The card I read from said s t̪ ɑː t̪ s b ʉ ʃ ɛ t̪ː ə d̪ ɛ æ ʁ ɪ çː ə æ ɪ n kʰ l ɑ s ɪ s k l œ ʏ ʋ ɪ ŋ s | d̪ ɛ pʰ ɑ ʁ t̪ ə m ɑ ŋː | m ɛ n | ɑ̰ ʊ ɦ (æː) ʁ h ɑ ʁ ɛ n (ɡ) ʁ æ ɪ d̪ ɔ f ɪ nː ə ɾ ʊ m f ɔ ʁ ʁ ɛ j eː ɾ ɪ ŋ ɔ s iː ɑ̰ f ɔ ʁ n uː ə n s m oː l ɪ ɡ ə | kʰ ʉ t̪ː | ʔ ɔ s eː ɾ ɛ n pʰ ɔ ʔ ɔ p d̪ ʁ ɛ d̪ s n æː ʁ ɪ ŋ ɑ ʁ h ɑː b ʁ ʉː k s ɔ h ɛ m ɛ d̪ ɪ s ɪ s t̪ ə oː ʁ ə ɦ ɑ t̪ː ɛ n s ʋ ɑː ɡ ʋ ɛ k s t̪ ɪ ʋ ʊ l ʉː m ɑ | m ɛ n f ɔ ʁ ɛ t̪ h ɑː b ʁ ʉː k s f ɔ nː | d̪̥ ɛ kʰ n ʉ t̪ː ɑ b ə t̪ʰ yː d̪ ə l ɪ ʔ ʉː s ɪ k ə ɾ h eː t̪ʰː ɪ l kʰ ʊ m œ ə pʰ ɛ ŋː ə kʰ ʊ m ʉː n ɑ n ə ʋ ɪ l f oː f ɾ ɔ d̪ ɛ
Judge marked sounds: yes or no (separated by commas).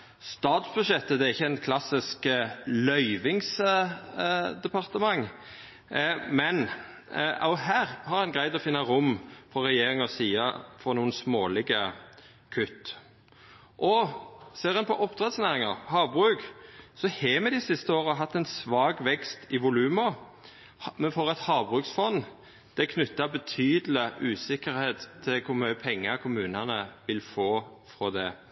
yes, yes